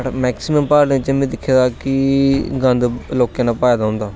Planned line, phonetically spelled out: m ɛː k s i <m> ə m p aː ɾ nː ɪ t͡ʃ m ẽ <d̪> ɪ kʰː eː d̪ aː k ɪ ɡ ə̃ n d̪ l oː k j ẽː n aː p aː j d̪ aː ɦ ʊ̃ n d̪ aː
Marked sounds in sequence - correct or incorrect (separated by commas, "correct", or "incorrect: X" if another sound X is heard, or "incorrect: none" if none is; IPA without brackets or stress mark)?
correct, correct